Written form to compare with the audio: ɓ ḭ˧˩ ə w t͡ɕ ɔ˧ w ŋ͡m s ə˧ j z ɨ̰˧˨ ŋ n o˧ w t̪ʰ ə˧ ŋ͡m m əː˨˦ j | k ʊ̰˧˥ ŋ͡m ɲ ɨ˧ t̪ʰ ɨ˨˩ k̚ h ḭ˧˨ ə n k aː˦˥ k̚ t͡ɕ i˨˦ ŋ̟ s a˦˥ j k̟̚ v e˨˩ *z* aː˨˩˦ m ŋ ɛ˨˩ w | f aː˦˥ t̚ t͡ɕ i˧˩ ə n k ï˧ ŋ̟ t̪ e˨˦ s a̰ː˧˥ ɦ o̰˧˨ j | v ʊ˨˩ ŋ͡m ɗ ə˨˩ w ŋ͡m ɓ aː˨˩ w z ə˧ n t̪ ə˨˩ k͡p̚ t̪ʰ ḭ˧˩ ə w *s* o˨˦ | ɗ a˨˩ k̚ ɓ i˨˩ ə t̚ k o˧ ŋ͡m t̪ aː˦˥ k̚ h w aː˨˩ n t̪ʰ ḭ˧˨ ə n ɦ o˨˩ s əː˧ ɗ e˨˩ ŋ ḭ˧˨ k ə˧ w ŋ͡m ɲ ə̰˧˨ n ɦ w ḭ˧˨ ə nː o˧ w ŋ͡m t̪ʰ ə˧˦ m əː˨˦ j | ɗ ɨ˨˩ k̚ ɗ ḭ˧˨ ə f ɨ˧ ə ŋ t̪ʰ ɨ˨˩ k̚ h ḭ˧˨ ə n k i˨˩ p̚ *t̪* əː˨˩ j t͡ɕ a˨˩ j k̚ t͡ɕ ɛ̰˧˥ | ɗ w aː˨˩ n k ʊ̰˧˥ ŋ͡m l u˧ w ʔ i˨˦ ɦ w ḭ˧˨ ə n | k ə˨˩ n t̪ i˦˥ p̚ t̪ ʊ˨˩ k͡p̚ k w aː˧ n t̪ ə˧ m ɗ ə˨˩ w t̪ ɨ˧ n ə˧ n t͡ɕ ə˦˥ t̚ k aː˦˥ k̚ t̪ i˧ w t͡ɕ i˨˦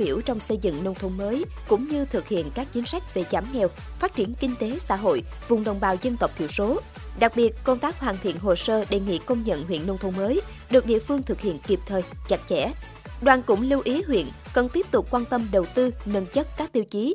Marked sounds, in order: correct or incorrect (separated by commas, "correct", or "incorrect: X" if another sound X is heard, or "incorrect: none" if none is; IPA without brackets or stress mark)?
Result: correct, correct, incorrect: t̪ʰ